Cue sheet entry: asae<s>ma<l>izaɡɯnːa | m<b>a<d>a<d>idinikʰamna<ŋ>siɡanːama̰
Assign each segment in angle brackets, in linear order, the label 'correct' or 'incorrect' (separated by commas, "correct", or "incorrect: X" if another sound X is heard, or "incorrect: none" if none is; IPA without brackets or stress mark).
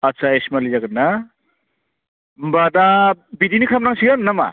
correct, correct, correct, correct, incorrect: b, correct